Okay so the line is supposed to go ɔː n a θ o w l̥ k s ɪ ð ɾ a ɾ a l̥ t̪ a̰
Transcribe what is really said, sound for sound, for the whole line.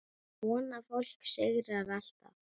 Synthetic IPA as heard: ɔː n a f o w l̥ k s ɪ ɣ ɾ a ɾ a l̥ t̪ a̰